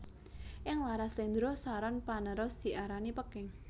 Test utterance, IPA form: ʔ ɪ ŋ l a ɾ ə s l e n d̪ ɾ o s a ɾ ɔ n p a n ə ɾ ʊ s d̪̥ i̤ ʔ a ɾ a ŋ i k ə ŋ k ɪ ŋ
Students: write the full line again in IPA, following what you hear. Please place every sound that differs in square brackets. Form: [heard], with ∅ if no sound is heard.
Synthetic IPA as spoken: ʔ ɪ ŋ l a ɾ [a] s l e n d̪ ɾ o s a ɾ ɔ n p a n ə ɾ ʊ s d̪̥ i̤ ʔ a ɾ a [n] i [p] ə [∅] k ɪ ŋ

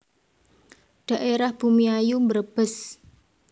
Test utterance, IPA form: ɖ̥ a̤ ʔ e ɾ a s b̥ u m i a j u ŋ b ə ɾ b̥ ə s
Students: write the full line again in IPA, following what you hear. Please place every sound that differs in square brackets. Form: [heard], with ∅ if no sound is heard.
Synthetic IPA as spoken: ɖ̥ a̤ ʔ e ɾ a [h] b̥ u m i a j u [m] b ə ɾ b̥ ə s

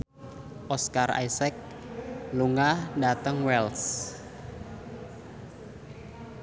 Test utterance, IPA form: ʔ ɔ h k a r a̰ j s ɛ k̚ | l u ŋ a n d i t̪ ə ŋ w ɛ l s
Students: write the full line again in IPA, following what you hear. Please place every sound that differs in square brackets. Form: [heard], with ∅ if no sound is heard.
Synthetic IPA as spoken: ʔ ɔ [s] k a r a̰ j s ɛ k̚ | l u ŋ a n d [a] t̪ ə ŋ w ɛ l s

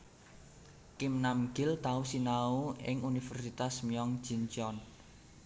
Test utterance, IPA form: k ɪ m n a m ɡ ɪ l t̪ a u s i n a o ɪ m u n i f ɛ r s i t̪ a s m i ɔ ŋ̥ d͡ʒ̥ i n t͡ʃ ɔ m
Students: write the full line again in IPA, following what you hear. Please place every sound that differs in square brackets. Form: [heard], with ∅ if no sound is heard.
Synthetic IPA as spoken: k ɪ m n a m ɡ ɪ l t̪ a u s i n a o ɪ [ŋ] u n i f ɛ r s i t̪ a s m i ɔ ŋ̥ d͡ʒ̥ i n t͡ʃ ɔ [n]

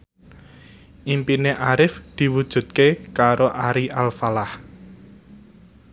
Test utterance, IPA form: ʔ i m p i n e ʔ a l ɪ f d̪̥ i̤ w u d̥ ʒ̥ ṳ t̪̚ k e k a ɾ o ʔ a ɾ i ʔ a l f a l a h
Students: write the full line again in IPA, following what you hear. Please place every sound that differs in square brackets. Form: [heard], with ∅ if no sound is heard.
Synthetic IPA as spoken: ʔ i m p i n e ʔ a [ɾ] ɪ f d̪̥ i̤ w u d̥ ʒ̥ ṳ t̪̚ k e k a ɾ o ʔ a ɾ i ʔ a l f a l a h

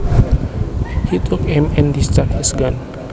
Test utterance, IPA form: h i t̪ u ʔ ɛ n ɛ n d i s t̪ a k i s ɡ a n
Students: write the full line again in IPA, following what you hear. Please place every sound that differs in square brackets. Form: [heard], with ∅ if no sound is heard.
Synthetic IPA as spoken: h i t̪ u [k] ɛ [m] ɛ n d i s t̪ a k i s ɡ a n

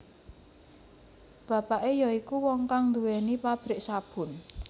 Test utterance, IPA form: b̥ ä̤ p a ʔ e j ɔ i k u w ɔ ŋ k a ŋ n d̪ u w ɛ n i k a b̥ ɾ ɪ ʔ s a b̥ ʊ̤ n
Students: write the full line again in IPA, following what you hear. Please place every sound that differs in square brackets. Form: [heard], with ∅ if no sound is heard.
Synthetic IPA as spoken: b̥ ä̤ p a ʔ e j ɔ i k u w ɔ ŋ k a ŋ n d̪ u w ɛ n i [p] a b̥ ɾ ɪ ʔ s a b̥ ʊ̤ n

